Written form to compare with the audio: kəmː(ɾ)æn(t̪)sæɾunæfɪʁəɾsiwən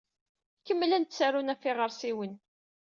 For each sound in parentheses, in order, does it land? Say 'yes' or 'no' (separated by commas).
no, yes